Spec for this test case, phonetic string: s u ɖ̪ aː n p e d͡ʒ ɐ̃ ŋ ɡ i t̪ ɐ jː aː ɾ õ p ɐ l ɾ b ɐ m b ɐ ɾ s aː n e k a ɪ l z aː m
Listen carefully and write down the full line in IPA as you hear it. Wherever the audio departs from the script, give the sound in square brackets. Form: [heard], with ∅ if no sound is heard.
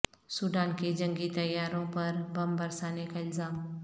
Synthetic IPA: s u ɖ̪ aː n [k] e d͡ʒ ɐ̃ ŋ ɡ i t̪ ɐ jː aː ɾ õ p ɐ [∅] ɾ b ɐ m b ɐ ɾ s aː n e k a ɪ l z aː m